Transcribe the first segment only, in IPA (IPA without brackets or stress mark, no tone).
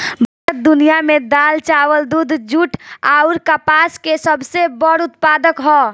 bʱ